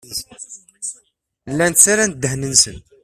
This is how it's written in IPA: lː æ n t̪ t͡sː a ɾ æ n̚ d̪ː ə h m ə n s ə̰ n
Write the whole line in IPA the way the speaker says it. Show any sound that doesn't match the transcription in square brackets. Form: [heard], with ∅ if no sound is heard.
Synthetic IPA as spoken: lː æ n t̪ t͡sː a ɾ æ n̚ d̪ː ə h [n] ə n s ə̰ n

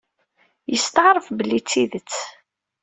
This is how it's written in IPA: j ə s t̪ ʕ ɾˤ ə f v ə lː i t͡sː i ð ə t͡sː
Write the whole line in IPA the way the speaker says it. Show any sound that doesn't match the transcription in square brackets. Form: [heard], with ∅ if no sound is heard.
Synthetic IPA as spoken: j ə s t̪ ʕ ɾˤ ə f [b] ə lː i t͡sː i ð ə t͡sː

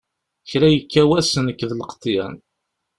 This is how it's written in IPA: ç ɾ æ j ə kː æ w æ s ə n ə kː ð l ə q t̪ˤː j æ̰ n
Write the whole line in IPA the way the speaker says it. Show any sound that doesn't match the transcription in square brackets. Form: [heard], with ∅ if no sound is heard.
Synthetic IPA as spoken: ç ɾ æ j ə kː æ w æ s ə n ə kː ð l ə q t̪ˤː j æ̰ n

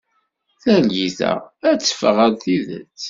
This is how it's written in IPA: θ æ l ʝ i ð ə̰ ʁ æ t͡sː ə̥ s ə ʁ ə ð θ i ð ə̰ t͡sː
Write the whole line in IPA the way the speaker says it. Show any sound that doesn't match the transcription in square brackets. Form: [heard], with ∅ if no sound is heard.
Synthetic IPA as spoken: θ æ l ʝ i [θ] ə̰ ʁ æ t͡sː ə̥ [f] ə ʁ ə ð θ i ð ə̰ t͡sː

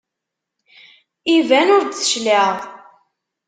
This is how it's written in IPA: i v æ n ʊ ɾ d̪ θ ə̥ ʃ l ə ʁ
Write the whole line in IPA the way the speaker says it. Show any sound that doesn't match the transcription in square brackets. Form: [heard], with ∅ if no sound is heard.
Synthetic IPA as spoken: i v æ n ʊ ɾ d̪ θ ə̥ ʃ l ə ʁ

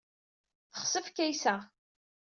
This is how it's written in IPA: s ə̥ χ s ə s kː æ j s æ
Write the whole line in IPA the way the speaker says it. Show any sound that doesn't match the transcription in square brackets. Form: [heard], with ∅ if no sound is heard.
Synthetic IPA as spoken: [θ] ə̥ χ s ə [f] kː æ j s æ

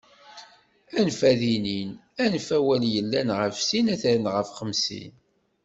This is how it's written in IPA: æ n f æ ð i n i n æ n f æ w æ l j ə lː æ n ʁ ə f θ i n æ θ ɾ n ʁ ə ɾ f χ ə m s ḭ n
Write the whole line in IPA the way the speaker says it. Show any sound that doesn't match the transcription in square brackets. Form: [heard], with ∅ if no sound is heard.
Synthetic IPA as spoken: æ n f æ ð i n i n æ n f æ w æ l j ə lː æ n ʁ ə f [s] i n æ θ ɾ n ʁ ə [∅] f χ ə m s ḭ n

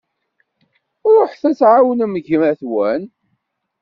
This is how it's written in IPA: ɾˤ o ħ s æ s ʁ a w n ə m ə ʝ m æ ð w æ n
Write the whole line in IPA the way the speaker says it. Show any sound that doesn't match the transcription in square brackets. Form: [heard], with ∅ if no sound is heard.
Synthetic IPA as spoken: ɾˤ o ħ [θ] æ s [ʕ] a w n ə m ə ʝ m æ [θ] w æ n

